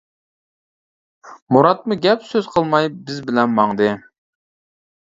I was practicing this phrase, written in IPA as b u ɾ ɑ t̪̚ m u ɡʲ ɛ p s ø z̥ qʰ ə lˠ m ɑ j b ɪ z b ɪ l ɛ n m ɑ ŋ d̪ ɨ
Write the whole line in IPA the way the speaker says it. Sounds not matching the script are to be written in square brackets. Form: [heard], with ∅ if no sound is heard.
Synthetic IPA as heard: [m] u ɾ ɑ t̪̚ m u ɡʲ ɛ p s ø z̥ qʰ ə lˠ m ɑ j b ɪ z b ɪ l ɛ n m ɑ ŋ d̪ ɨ